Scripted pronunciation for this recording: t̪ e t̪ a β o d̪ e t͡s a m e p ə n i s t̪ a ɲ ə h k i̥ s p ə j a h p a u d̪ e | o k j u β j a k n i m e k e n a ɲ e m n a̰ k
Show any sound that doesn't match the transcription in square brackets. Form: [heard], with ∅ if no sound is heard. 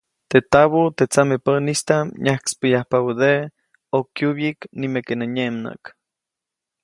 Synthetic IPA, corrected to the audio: t̪ e t̪ a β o [t̪] e t͡s a m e p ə n i s t̪ a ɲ [a] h k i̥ s p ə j a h p a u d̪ e | o k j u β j [i] k n i m e k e n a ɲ e m n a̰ k